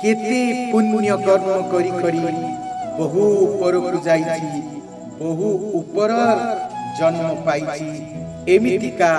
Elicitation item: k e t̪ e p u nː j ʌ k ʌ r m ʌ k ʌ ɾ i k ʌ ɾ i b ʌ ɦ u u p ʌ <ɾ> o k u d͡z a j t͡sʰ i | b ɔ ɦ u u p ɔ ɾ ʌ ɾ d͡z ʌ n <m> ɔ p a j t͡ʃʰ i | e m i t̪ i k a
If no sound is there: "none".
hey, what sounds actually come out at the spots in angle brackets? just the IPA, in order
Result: ɾ, m

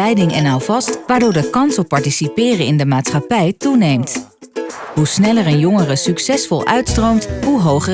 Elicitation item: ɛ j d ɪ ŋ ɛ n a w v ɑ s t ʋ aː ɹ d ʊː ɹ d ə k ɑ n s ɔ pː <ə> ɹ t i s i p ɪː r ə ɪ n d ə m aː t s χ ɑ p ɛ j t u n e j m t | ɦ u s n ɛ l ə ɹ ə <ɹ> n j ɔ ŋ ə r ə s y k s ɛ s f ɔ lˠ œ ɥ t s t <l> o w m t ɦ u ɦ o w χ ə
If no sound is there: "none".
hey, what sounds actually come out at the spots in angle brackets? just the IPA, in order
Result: ɑ, none, r

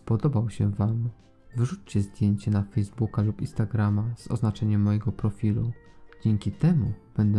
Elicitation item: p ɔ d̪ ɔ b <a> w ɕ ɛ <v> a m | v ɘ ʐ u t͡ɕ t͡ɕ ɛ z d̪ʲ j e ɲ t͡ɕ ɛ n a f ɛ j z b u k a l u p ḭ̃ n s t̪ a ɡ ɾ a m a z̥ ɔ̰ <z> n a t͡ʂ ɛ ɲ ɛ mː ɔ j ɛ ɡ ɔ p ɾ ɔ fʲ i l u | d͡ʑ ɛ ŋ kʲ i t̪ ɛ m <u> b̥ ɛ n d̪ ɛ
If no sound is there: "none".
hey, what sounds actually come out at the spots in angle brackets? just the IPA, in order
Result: a, v, z, u

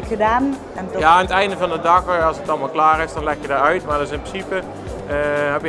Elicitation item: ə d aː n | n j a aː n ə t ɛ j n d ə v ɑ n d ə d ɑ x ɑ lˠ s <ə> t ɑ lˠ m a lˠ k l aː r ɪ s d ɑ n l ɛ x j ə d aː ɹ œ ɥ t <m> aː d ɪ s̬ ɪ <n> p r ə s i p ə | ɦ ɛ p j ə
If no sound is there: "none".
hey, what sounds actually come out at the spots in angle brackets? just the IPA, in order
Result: ə, m, n

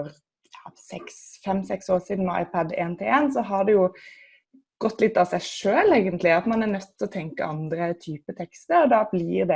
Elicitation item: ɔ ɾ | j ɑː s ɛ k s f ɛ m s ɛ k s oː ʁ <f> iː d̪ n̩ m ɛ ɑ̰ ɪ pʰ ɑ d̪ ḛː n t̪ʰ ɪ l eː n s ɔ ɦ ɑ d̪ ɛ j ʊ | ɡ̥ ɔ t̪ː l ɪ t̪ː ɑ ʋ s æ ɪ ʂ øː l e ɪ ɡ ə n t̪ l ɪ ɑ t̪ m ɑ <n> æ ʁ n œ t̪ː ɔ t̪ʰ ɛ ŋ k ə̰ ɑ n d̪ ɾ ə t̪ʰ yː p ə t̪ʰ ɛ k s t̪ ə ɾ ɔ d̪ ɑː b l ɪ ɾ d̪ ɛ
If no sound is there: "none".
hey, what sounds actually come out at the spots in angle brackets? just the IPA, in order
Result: s, n

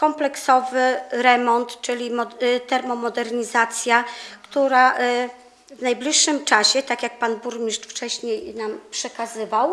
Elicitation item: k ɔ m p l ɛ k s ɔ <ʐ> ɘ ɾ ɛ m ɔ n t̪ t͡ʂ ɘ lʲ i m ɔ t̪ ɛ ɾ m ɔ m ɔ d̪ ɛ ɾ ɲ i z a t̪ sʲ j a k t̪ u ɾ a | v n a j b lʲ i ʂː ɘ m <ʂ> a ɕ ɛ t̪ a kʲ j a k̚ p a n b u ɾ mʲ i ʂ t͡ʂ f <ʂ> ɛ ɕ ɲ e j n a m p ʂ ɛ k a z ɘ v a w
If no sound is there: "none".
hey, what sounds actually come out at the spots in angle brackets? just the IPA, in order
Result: v, t͡ʂ, t͡ʂ

